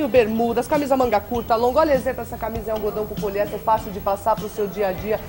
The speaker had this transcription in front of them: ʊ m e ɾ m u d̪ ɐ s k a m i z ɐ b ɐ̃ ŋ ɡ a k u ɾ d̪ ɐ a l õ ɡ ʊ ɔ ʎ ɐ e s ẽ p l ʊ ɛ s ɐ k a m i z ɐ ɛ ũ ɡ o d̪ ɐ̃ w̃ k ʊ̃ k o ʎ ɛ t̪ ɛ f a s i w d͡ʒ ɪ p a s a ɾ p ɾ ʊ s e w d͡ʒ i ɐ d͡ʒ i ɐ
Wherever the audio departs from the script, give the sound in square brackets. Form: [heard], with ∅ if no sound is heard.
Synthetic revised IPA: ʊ [b] e ɾ m u d̪ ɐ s k a m i z ɐ [m] ɐ̃ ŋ ɡ a k u ɾ [t̪] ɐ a l õ ɡ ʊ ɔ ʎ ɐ e [z] ẽ p l ʊ ɛ s ɐ k a m i z ɐ ɛ ũ ɡ o d̪ ɐ̃ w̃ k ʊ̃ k o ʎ ɛ t̪ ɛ f a s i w d͡ʒ ɪ p a s a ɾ p ɾ ʊ s e w d͡ʒ i ɐ d͡ʒ i ɐ